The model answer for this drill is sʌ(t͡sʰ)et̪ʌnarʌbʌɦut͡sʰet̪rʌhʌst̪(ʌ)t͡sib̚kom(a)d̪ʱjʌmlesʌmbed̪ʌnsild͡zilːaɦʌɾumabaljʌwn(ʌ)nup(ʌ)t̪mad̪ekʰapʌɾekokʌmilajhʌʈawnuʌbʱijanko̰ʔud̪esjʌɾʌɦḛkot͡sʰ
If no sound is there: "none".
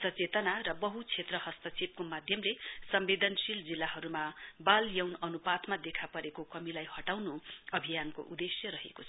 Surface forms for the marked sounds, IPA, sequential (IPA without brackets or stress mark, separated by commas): t͡s, ʌ, a, ʌ, a